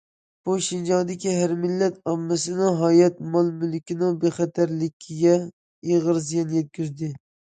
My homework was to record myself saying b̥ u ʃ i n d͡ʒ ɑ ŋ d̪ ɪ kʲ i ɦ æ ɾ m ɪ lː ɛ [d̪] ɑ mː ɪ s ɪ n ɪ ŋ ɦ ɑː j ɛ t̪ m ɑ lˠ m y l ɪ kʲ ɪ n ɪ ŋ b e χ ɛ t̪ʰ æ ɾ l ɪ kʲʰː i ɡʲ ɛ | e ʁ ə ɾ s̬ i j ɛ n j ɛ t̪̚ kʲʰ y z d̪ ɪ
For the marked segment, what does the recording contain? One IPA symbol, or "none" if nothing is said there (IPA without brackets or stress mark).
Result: t̪